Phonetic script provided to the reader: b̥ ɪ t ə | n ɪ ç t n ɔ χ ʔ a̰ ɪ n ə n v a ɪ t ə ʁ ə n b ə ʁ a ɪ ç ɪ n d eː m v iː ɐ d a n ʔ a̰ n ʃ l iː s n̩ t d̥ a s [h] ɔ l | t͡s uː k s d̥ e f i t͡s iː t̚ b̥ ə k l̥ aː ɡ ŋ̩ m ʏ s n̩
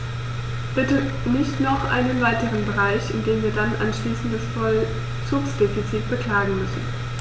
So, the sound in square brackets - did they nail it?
no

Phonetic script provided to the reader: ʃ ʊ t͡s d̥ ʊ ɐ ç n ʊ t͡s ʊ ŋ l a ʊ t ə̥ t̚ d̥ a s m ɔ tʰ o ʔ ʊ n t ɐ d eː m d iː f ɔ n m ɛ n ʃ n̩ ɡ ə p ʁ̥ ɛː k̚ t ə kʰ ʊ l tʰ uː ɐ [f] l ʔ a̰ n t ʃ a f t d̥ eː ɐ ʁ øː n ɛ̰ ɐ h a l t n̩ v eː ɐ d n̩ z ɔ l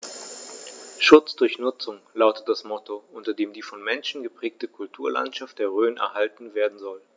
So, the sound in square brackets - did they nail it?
no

